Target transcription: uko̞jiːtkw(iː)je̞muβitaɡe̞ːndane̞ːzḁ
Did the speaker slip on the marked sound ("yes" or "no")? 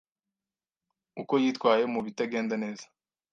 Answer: yes